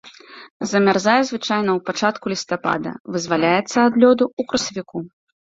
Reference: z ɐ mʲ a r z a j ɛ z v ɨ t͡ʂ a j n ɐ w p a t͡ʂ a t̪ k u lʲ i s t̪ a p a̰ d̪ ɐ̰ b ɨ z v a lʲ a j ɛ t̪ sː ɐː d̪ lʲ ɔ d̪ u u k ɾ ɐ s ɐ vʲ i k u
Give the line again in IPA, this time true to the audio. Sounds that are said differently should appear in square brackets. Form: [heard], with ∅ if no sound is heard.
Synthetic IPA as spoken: z ɐ mʲ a r z a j ɛ z v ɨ t͡ʂ a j n ɐ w p a t͡ʂ a t̪ k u lʲ i s t̪ a p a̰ d̪ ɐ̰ [v] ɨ z v a lʲ a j ɛ t̪ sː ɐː d̪ lʲ ɔ d̪ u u k ɾ ɐ s ɐ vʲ i k u